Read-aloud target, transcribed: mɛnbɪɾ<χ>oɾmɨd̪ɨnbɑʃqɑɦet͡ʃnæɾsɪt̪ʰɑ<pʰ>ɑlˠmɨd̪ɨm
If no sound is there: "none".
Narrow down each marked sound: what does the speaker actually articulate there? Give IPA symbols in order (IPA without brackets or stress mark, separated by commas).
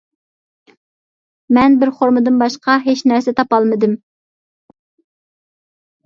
χ, p